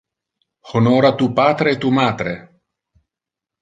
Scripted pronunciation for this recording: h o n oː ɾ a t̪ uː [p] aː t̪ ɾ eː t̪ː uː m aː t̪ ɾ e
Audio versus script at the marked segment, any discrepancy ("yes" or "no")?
no